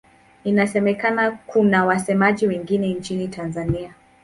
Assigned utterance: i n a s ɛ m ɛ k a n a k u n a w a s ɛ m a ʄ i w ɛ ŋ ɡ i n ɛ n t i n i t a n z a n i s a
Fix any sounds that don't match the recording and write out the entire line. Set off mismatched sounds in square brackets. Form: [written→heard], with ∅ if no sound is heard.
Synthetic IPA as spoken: i n a s ɛ m ɛ k a n a k u n a w a s ɛ m a ʄ i w ɛ ŋ ɡ i n ɛ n [t→t͡ʃ] i n i t a n z a n i [s→∅] a